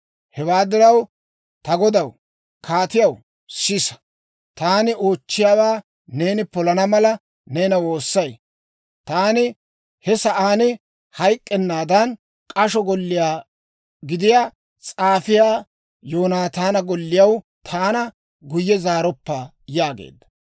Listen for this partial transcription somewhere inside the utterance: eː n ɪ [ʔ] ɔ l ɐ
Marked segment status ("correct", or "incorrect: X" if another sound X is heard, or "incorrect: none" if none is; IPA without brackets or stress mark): incorrect: p